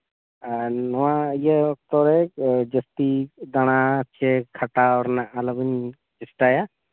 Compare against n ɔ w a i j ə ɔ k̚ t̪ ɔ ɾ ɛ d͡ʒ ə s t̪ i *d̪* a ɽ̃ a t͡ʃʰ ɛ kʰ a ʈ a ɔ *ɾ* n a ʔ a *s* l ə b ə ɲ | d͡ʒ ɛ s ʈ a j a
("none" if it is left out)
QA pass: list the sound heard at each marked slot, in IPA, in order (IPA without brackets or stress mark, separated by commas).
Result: d̪, ɾ, none